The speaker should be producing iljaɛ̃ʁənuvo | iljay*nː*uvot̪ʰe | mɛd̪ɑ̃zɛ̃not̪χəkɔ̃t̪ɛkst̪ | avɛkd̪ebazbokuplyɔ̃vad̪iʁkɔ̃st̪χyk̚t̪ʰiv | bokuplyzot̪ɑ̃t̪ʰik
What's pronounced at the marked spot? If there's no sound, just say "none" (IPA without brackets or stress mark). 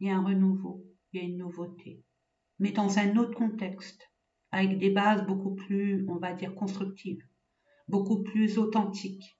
nː